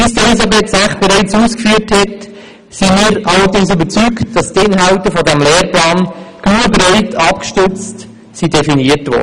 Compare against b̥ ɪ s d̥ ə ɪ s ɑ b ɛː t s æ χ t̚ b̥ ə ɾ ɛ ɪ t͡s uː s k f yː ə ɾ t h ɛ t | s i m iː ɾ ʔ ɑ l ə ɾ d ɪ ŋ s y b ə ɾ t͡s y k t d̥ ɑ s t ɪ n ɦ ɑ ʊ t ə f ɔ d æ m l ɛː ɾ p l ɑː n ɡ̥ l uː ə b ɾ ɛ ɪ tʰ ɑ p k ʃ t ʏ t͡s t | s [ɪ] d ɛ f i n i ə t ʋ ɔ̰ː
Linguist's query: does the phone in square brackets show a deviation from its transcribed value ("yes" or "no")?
yes